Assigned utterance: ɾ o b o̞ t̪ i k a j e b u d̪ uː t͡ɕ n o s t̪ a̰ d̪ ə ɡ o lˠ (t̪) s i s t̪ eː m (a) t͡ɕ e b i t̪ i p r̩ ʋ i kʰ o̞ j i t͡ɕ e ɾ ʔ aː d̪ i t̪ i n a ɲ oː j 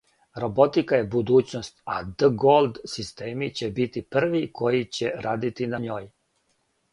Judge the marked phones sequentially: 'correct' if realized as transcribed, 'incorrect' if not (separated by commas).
incorrect, incorrect